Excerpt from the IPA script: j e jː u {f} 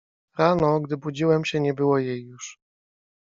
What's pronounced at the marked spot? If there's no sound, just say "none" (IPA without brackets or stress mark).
ʂ